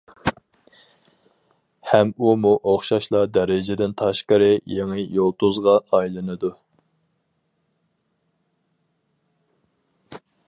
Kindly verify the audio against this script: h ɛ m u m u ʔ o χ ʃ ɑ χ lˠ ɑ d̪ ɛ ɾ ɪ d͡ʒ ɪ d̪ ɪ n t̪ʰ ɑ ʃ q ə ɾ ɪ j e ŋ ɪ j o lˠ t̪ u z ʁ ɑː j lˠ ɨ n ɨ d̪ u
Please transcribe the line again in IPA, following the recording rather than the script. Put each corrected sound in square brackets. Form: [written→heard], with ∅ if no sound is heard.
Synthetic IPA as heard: h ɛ m u m u ʔ o χ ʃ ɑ [χ→ʃ] lˠ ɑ d̪ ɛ ɾ ɪ d͡ʒ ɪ d̪ ɪ n t̪ʰ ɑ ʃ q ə ɾ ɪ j e ŋ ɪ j o lˠ t̪ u z ʁ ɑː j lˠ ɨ n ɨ d̪ u

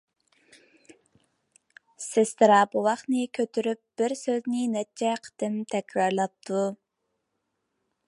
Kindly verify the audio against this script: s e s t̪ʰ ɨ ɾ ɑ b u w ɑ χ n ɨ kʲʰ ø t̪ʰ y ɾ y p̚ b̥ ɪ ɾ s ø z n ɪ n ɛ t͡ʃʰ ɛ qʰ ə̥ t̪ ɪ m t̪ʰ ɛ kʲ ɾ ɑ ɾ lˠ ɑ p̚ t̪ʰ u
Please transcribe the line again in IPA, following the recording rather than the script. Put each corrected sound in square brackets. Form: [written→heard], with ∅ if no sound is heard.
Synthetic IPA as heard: s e s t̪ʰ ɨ ɾ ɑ b u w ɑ χ n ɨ kʲʰ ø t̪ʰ y ɾ y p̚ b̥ ɪ ɾ s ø z n ɪ n ɛ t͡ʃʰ ɛ qʰ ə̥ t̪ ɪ m t̪ʰ ɛ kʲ ɾ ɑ ɾ lˠ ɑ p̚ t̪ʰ u

